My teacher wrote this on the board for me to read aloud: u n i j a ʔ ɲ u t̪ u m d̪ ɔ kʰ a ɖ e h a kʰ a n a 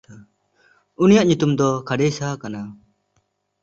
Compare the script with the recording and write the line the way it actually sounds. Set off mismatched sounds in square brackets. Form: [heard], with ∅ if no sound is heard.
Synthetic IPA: u n i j a ʔ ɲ u t̪ u m d̪ ɔ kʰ a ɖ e [s] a [k] a n a